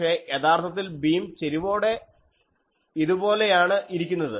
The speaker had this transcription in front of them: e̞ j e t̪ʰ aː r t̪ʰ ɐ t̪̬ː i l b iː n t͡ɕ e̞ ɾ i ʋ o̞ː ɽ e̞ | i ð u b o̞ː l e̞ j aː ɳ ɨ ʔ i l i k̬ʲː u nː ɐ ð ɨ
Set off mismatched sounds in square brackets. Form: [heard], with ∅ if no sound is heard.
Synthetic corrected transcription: e̞ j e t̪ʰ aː r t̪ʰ ɐ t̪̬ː i l b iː [m] t͡ɕ e̞ ɾ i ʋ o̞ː ɽ e̞ | i ð u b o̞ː l e̞ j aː ɳ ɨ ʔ i [ɾ] i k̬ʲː u nː ɐ ð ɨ